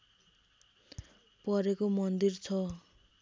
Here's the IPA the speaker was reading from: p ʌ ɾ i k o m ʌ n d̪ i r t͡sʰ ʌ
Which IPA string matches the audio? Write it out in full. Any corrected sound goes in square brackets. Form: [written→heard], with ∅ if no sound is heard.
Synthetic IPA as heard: p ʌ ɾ [i→e] k o m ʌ n d̪ i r t͡sʰ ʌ